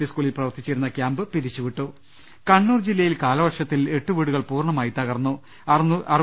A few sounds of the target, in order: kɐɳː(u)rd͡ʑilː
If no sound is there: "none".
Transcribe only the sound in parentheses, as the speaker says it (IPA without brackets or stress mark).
uː